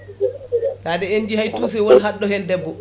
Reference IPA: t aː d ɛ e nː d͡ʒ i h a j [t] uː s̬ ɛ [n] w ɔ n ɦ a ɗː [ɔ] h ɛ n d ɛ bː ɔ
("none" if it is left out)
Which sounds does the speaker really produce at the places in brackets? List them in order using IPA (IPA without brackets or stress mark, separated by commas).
t, none, ɔ